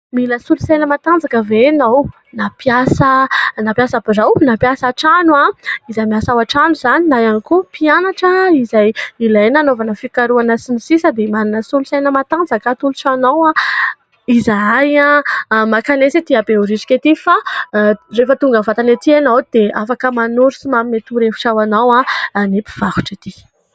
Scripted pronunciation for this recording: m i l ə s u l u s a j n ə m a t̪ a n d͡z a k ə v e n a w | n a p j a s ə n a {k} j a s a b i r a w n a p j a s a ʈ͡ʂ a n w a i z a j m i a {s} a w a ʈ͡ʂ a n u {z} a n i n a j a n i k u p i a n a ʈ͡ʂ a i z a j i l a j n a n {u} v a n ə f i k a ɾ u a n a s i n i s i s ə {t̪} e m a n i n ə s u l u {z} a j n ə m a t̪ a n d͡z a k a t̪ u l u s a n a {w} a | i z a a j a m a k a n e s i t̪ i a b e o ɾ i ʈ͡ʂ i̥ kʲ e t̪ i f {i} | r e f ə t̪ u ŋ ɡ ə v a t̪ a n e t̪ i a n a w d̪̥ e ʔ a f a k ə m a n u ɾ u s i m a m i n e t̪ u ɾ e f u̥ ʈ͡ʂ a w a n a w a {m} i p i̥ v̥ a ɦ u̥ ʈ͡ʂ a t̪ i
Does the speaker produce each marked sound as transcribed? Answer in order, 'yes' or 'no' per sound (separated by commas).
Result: no, yes, yes, no, no, no, yes, no, no